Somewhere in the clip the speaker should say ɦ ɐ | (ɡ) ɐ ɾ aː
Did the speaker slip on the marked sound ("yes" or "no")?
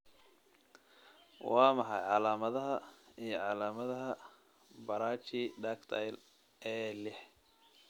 yes